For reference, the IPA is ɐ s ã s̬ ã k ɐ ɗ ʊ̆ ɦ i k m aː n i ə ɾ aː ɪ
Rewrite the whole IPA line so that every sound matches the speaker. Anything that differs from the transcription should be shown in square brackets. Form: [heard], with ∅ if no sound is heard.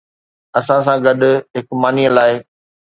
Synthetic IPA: ɐ s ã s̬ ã [ɡ] ɐ ɗ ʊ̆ ɦ [ɪ] k m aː n i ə [l] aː ɪ